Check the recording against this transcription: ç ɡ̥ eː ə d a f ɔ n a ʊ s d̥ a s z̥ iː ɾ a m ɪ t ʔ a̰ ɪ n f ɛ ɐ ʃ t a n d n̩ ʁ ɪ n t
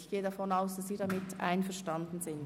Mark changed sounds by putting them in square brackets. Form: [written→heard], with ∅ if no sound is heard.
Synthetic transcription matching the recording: ç ɡ̥ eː ə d a f ɔ n a ʊ s d̥ a s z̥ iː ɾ a m ɪ t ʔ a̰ ɪ n f ɛ ɐ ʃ t a n d n̩ [ʁ→z] ɪ n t